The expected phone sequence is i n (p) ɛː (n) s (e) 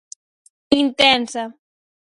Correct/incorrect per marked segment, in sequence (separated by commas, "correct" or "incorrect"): incorrect, correct, incorrect